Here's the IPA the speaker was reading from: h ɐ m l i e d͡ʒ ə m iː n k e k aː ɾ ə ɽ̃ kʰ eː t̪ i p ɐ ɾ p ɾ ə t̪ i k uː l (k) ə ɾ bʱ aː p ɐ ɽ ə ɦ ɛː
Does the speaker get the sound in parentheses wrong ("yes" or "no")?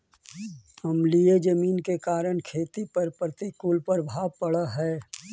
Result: yes